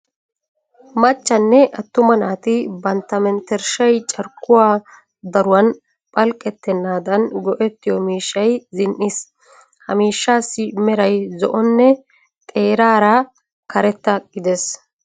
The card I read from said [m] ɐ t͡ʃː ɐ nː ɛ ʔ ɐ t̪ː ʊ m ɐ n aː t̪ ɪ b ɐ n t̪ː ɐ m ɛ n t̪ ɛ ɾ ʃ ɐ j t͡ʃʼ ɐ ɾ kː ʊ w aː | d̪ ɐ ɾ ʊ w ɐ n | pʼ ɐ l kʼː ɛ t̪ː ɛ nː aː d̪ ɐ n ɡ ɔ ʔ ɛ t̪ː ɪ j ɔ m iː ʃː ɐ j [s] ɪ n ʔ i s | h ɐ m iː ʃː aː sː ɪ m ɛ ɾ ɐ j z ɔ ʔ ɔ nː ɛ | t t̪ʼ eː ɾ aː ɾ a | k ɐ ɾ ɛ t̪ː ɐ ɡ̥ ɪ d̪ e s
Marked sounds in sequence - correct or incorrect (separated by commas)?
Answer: correct, incorrect